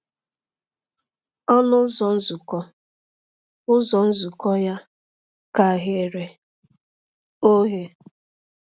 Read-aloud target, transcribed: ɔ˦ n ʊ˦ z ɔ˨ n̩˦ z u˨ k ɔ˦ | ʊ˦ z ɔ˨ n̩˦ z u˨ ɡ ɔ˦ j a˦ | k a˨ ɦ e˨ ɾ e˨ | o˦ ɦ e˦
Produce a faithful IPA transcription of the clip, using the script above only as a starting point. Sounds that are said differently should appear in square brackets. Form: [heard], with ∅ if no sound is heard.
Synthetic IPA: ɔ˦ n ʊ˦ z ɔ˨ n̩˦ z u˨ k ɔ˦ | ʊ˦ z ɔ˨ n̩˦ z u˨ [k] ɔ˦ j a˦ | k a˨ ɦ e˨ ɾ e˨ | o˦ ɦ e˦